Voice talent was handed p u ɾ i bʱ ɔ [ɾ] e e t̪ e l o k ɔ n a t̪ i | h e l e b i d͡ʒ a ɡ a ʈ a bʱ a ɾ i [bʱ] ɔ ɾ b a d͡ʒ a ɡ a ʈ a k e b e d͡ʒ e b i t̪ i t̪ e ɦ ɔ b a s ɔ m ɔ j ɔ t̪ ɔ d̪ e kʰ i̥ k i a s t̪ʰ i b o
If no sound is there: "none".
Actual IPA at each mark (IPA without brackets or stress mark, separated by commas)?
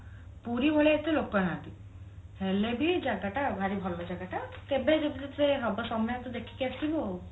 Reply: ɭ, bʱ